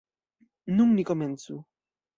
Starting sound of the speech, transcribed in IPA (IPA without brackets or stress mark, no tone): n